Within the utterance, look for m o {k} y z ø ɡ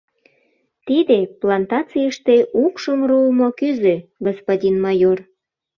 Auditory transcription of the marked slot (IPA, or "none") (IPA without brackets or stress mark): k